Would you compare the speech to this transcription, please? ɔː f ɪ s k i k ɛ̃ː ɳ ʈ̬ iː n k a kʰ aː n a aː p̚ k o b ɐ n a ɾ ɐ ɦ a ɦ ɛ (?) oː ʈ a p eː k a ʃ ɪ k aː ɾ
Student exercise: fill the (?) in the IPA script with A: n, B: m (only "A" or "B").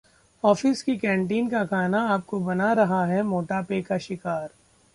B